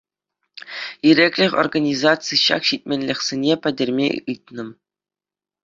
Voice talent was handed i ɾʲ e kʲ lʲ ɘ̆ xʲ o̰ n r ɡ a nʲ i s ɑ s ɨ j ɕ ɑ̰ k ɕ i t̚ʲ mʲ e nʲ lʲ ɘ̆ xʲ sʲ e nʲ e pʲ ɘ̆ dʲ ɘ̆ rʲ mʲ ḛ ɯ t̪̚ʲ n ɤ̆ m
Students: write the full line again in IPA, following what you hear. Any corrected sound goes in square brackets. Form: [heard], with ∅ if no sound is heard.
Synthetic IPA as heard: i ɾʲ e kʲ lʲ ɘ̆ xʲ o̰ [∅] r ɡ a nʲ i [z] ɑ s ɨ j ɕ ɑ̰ k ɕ i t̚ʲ mʲ e nʲ lʲ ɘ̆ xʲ sʲ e nʲ e pʲ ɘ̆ dʲ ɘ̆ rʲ mʲ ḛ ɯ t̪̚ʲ n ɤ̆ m